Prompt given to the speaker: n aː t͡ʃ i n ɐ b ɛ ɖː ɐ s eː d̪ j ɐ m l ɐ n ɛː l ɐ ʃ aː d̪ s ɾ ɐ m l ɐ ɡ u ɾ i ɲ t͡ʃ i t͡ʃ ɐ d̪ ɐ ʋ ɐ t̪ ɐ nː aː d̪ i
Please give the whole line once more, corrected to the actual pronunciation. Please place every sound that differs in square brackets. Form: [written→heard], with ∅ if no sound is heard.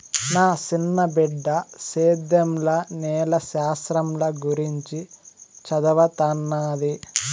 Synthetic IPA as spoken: n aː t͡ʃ i [n→nː] ɐ b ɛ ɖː ɐ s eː d̪ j ɐ m l ɐ n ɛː l ɐ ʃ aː [d̪→∅] s ɾ ɐ m l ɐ ɡ u ɾ i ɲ t͡ʃ i t͡ʃ ɐ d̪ ɐ ʋ ɐ t̪ ɐ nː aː d̪ i